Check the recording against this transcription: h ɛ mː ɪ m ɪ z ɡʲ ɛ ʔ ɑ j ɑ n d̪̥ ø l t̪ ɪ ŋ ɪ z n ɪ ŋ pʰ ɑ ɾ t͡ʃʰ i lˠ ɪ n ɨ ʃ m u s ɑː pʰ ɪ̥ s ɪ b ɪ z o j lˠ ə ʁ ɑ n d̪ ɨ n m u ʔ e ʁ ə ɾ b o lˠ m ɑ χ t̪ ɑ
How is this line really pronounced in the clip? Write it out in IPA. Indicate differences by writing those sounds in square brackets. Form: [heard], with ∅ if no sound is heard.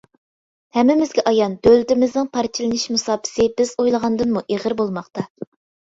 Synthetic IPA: h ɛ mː ɪ m ɪ z ɡʲ ɛ ʔ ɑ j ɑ n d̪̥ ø l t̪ ɪ [m] ɪ z n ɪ ŋ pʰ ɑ ɾ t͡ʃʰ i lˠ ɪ n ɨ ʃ m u s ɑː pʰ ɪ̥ s ɪ b ɪ z o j lˠ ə ʁ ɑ n d̪ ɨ n m u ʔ e ʁ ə ɾ b o lˠ m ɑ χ t̪ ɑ